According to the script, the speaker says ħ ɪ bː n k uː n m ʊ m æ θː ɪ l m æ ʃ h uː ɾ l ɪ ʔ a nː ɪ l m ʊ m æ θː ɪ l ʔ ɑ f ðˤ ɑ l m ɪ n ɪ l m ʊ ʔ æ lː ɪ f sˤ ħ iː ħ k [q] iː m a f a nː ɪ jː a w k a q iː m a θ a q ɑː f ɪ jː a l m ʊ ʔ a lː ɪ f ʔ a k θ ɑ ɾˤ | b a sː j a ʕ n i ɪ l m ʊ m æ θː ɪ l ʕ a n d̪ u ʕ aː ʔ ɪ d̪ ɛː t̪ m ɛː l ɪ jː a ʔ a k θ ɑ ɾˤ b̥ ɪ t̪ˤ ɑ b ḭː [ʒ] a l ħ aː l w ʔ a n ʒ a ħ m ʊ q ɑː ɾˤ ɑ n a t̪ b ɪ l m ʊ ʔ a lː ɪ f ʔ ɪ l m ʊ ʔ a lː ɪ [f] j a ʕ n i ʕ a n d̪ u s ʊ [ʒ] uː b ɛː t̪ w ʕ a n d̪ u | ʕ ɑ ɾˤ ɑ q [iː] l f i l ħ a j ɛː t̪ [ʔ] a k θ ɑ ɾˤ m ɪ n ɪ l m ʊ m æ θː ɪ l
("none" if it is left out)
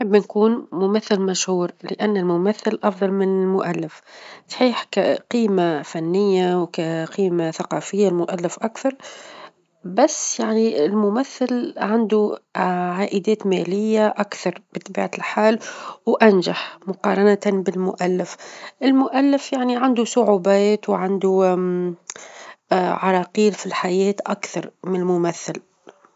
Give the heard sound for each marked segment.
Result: q, ʕ, f, ʕ, iː, ʔ

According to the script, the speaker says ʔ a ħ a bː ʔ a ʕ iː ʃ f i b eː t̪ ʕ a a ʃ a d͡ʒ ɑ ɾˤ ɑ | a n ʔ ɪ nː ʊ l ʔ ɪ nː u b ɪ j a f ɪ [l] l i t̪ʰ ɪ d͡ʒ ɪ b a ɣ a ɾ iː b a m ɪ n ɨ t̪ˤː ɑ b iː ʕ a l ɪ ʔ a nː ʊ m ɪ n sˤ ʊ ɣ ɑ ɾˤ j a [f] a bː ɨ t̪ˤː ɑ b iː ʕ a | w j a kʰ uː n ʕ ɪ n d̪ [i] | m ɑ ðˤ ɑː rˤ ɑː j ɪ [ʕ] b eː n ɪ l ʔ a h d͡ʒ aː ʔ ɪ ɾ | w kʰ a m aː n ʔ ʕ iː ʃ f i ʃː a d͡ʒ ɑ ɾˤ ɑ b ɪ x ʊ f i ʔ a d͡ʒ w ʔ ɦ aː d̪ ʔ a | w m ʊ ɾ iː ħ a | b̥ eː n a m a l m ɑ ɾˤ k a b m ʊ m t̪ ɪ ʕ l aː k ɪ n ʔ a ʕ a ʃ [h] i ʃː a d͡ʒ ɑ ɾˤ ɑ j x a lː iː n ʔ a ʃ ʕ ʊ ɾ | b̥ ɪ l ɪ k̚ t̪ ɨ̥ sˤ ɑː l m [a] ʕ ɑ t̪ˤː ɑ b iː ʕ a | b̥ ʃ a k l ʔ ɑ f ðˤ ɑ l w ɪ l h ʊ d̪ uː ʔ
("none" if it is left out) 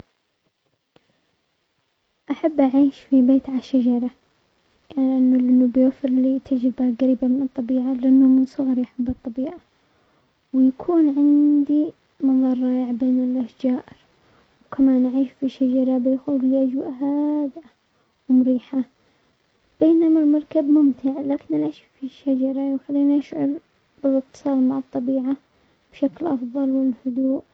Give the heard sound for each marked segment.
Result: ɾ, ħ, i, ʕ, f, a

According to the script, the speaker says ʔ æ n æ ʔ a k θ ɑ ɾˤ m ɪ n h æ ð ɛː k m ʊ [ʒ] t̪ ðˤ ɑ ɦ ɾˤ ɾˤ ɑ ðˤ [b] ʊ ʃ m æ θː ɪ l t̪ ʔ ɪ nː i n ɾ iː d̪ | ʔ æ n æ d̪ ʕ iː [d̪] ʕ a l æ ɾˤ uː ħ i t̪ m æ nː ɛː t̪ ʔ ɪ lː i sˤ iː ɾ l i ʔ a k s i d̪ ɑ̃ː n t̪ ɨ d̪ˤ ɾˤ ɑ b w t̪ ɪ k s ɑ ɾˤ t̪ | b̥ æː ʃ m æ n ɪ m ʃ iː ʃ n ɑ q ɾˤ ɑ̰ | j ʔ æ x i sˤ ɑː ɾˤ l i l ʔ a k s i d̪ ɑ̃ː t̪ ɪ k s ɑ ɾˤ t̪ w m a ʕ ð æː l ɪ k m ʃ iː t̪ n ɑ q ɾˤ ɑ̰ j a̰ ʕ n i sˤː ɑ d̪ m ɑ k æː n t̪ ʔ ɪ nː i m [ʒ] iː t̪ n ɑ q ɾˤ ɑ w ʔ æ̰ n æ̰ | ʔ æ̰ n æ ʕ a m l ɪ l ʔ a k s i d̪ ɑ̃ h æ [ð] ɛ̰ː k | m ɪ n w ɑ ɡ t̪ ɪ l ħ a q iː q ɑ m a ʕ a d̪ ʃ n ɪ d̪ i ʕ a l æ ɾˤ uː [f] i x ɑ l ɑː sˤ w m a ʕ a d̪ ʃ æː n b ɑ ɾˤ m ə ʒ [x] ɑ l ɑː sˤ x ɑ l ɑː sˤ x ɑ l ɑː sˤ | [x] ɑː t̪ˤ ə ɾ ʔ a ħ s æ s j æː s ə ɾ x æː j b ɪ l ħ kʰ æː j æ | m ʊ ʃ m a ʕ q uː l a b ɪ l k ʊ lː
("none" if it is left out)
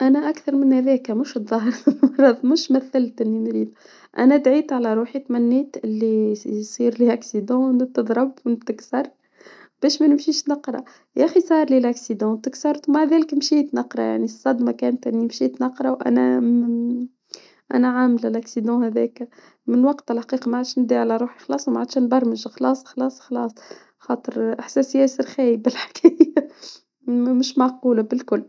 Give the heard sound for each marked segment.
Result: ʃ, m, t̪, ʃ, ð, ħ, x, x

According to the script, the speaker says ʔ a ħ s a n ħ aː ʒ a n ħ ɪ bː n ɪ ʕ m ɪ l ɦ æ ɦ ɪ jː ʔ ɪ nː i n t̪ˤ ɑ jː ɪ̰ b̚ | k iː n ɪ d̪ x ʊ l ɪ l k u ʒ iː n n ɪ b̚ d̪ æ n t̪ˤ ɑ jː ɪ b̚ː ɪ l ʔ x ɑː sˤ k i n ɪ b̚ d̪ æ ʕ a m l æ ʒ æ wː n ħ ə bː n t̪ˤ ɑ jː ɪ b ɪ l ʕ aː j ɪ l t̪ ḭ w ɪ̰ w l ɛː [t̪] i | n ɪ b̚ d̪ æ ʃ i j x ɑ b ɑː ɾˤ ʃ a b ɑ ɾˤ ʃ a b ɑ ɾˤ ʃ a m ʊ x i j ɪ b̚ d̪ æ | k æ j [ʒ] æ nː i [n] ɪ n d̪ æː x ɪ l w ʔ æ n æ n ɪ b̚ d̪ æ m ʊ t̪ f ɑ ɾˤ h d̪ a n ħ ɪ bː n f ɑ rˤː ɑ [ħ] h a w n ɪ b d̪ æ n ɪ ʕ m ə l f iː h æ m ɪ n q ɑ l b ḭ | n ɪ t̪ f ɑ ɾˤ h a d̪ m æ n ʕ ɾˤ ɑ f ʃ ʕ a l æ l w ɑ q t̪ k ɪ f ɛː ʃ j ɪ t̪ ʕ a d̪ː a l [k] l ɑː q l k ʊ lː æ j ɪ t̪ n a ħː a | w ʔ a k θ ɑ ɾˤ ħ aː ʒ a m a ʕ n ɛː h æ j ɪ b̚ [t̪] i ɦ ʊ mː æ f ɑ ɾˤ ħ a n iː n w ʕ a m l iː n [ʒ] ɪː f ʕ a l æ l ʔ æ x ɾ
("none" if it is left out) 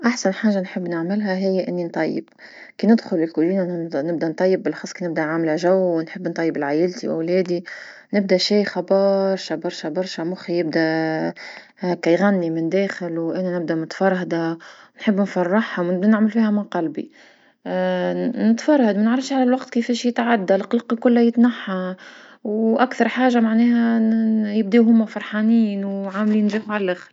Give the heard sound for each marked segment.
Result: d̪, ɣ, m, ħ, q, d̪, ʒ

